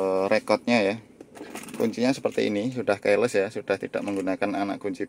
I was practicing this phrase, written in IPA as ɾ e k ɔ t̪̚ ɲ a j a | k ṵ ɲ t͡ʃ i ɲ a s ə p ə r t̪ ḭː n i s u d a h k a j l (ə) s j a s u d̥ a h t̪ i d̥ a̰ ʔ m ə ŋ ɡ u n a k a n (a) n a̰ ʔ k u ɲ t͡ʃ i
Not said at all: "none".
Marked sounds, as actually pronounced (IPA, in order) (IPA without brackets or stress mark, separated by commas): ə, a